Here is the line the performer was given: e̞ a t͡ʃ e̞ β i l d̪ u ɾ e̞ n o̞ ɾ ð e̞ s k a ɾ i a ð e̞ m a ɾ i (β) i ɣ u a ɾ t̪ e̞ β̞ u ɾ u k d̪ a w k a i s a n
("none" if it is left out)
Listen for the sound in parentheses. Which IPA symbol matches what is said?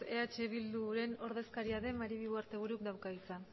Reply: β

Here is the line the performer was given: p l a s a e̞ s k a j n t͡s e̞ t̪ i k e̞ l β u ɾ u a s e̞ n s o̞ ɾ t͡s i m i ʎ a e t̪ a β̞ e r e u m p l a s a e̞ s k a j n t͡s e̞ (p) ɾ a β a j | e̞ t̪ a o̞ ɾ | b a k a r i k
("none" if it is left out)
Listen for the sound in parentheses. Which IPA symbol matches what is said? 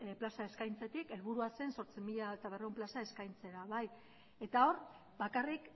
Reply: none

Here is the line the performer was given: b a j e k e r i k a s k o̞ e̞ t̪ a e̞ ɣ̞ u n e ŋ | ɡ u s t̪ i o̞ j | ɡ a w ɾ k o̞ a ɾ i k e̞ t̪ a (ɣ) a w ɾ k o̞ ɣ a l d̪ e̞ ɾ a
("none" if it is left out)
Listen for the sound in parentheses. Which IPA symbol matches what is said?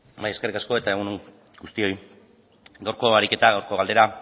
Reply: ɣ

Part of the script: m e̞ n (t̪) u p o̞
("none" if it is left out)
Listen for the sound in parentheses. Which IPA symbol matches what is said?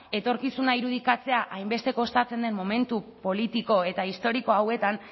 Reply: t̪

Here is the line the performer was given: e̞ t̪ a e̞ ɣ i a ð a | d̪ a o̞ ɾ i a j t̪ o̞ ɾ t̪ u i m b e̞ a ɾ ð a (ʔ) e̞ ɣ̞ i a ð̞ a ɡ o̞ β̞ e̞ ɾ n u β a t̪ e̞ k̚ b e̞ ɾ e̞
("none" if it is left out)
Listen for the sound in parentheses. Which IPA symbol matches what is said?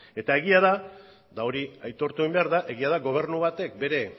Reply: ʔ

